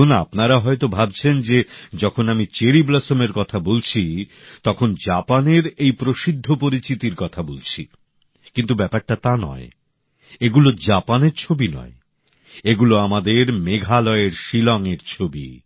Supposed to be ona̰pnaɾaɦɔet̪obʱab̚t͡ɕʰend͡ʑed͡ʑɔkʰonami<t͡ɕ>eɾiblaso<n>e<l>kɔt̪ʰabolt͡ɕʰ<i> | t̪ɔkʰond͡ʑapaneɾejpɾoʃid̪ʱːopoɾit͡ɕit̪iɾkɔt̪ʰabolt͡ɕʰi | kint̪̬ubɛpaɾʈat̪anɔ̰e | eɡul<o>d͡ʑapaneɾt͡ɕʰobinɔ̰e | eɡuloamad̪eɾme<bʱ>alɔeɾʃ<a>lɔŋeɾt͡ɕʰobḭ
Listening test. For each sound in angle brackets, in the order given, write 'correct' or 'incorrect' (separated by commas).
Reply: correct, incorrect, incorrect, correct, correct, incorrect, incorrect